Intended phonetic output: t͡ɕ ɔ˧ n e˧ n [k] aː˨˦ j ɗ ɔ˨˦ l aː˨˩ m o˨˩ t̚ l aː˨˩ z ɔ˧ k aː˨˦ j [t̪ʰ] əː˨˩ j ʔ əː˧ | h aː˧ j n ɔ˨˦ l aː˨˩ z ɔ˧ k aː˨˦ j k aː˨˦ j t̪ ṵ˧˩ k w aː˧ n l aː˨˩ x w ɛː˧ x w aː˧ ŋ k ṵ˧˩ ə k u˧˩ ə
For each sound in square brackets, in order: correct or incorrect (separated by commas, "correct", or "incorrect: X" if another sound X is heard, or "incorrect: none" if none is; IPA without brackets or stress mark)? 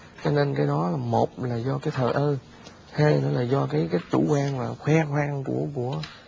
correct, correct